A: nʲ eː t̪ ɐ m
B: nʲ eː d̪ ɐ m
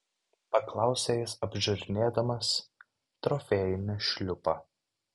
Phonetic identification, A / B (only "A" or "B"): B